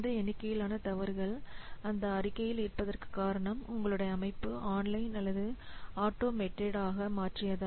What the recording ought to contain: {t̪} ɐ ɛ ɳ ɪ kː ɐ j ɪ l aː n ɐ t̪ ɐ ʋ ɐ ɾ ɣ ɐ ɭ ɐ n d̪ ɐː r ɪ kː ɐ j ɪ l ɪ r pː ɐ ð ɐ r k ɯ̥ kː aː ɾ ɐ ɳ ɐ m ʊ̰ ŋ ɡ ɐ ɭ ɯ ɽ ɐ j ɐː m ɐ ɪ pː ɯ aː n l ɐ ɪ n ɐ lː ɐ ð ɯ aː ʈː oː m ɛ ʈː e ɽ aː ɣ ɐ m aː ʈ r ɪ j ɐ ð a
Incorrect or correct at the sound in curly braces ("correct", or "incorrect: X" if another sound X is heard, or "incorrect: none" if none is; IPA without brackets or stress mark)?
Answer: incorrect: d̪